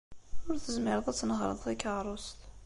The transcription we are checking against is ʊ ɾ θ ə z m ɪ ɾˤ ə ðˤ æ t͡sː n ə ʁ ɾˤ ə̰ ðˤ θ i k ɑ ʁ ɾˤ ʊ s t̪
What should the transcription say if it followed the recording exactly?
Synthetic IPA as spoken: ʊ ɾ θ ə z m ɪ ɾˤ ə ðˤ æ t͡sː n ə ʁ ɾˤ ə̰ ðˤ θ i k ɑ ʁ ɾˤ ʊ s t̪